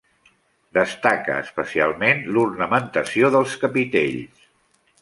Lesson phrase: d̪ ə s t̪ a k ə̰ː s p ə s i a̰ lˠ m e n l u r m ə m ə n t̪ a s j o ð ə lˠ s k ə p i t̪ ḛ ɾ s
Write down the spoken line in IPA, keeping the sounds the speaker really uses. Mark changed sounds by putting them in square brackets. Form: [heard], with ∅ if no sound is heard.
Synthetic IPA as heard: d̪ ə s t̪ a k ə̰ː s p ə s i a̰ lˠ m e n l u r [n] ə m ə n t̪ [ə] s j o ð ə lˠ s k ə p i t̪ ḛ [ʎ] s